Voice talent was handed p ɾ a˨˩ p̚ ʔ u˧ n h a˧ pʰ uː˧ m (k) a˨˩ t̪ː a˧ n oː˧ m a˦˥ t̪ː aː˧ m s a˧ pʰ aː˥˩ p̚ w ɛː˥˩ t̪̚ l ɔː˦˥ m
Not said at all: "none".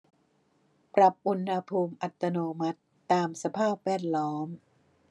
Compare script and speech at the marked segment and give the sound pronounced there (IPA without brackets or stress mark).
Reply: ʔ